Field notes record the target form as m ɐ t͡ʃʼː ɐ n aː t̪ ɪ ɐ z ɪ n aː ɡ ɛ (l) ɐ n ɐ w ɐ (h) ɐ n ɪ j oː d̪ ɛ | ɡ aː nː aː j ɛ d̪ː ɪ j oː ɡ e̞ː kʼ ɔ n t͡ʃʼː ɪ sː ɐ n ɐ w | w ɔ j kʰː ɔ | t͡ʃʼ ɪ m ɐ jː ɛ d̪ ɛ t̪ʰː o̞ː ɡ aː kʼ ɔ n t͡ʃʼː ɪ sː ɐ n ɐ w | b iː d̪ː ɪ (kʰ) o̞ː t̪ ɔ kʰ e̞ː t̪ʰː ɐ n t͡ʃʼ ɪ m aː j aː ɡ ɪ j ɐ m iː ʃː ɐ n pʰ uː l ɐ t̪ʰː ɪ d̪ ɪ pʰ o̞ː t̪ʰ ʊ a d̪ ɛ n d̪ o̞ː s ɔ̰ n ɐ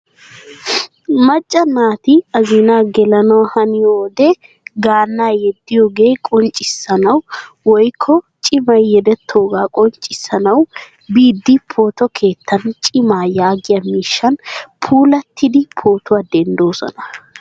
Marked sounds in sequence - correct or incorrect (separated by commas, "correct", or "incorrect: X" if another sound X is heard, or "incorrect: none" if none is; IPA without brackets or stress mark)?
correct, correct, incorrect: pʰ